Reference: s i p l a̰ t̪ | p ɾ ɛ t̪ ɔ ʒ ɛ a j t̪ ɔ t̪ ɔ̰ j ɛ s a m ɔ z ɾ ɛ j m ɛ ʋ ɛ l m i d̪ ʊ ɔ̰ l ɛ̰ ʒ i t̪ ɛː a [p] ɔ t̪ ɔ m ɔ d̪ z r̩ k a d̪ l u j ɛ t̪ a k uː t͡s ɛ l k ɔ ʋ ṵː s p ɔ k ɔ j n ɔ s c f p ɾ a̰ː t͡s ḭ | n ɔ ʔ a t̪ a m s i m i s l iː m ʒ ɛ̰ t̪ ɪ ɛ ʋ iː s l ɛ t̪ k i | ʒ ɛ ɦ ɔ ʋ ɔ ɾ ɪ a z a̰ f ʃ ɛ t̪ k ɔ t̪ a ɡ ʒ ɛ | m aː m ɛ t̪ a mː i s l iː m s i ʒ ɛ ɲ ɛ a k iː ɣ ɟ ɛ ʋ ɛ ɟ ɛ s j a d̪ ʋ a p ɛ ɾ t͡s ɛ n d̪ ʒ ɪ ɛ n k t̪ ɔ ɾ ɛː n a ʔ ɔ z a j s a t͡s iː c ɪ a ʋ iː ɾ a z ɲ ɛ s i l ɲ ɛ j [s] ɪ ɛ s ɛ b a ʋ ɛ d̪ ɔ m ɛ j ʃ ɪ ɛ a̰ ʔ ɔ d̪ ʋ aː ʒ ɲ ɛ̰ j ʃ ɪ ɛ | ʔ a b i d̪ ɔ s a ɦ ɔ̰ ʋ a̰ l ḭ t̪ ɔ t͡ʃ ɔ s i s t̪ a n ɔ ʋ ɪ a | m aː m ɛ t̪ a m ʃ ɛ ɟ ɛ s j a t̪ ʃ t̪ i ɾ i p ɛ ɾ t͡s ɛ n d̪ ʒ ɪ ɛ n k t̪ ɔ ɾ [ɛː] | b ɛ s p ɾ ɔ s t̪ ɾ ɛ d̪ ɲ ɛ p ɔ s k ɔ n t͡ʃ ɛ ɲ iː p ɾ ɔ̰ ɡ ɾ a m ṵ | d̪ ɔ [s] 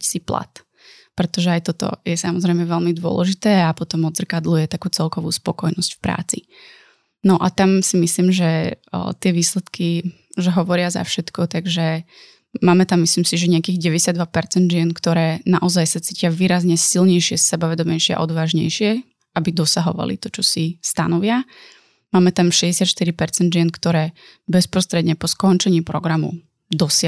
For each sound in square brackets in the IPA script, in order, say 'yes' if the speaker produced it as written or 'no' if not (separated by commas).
yes, no, yes, yes